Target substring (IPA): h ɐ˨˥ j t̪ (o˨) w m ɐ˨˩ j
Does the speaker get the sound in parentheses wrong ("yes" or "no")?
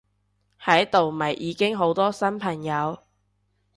no